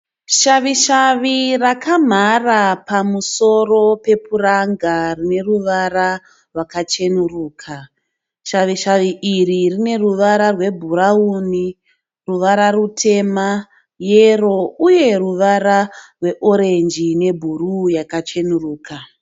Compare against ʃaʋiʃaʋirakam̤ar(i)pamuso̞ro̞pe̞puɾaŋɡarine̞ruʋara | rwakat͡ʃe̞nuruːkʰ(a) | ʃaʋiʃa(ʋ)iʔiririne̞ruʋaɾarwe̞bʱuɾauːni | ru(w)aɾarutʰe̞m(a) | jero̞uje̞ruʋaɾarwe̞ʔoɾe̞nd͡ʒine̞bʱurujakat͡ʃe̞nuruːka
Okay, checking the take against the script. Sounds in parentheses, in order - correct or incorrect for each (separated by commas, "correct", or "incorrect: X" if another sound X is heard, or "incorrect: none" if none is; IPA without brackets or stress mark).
incorrect: a, correct, correct, incorrect: ʋ, correct